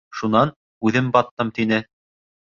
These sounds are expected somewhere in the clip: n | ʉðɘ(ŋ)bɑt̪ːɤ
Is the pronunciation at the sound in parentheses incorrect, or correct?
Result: incorrect